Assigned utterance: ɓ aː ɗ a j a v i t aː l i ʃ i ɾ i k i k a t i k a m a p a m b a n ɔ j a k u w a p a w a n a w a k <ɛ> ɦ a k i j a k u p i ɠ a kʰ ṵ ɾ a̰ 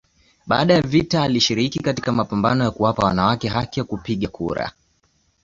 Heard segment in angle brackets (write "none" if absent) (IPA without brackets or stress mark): ɛ